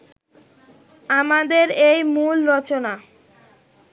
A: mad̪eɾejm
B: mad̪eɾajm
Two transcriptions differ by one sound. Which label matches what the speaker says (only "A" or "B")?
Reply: A